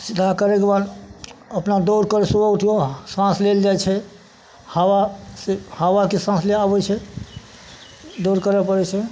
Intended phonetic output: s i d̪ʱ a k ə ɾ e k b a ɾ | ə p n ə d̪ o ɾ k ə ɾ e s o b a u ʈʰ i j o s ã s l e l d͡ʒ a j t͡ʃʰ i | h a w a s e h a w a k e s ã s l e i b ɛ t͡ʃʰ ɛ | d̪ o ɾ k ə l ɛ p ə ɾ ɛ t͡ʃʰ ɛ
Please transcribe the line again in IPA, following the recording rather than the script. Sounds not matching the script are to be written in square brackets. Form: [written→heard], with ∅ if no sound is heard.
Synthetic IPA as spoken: s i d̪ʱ a k ə ɾ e k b a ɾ | ə p n [ə→a] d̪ o ɾ k ə ɾ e s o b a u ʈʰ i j o s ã s l e l d͡ʒ a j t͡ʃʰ [i→ɛ] | h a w a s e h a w a k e s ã s l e [i→a] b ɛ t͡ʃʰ ɛ | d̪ o ɾ k ə [l→ɾ] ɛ p ə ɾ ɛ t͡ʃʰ ɛ